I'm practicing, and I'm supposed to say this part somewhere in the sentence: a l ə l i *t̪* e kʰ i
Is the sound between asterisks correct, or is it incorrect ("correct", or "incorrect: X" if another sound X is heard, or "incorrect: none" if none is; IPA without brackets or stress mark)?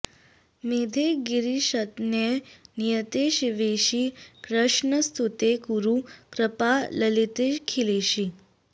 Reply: correct